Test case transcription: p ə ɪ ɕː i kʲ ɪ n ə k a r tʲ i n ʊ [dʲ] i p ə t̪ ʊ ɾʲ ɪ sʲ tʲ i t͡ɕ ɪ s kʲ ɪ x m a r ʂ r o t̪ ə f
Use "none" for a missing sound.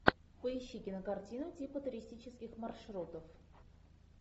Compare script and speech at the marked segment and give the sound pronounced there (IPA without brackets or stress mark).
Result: tʲ